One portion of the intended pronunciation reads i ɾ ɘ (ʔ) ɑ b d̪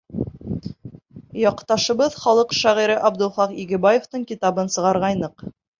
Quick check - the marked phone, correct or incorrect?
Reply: correct